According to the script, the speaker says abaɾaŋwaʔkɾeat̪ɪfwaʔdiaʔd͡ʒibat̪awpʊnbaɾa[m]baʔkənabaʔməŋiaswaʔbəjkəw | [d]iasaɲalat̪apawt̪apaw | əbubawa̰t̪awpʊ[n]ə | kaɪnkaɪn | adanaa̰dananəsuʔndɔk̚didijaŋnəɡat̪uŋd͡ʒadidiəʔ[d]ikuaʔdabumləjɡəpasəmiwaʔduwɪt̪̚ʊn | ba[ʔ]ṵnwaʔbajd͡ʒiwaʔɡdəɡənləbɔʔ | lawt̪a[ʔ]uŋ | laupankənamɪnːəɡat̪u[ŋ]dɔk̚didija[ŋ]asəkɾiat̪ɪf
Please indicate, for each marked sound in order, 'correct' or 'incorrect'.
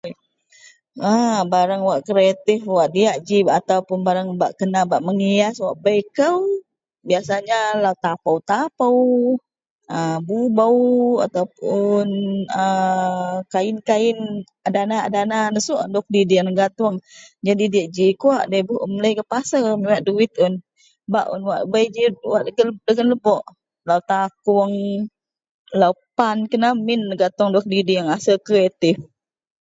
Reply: incorrect: ŋ, incorrect: b, correct, incorrect: d͡ʒ, correct, incorrect: k, correct, correct

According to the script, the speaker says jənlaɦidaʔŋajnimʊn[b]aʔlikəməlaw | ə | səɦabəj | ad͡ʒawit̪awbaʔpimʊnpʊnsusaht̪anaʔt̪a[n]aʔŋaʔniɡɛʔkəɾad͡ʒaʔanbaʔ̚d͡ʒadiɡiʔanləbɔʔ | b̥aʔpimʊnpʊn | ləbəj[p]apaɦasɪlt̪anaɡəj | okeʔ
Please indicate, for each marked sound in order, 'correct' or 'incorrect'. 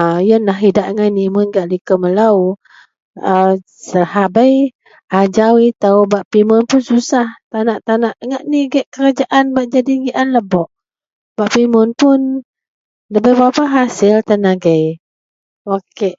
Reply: incorrect: ɡ, correct, incorrect: b

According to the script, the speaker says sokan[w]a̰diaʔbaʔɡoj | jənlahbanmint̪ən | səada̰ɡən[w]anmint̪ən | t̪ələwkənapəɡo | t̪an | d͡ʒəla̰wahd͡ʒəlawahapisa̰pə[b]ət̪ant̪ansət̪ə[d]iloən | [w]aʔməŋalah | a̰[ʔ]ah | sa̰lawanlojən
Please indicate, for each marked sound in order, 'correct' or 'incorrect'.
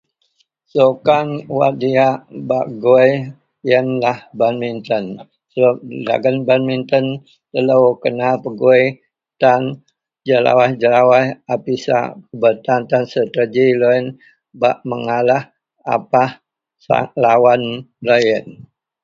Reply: correct, incorrect: b, correct, incorrect: d͡ʒ, incorrect: b, incorrect: p

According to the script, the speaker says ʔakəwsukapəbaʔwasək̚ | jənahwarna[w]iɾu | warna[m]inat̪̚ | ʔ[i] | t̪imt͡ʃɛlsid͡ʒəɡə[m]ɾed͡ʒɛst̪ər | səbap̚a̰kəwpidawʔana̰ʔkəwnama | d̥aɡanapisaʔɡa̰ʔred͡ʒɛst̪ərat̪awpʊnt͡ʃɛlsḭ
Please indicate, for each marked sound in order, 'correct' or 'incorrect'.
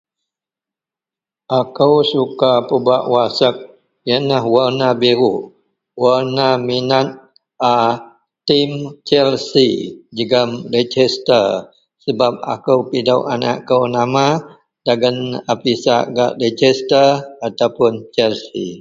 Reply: incorrect: b, correct, incorrect: a, correct

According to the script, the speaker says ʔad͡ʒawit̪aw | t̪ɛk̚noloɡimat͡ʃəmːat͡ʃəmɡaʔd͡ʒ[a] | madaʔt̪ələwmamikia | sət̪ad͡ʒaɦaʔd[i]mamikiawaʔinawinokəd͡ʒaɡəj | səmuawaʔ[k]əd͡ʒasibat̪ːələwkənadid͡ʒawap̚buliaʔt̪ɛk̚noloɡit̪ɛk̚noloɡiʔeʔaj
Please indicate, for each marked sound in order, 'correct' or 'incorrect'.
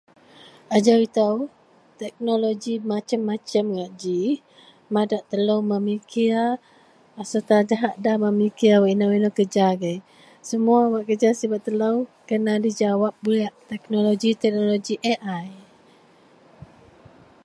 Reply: incorrect: i, incorrect: a, correct

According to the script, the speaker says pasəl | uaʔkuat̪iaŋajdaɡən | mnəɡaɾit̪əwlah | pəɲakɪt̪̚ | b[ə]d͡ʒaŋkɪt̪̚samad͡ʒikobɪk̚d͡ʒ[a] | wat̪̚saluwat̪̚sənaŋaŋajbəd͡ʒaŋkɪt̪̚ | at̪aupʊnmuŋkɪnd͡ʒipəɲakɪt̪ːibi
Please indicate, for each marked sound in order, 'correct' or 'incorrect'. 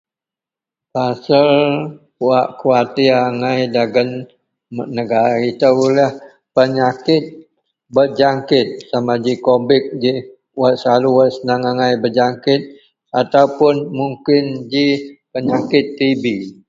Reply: correct, incorrect: i

